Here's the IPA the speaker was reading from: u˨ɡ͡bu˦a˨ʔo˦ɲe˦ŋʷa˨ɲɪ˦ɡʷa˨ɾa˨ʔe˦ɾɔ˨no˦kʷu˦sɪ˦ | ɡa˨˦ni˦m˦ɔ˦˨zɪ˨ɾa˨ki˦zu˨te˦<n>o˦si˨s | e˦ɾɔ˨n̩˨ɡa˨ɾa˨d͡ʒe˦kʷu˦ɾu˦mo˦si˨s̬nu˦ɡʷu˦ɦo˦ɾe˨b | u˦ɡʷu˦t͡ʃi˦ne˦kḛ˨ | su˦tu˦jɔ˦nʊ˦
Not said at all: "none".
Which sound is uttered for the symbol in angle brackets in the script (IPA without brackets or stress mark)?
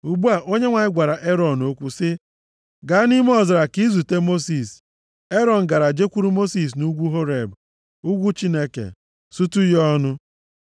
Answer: m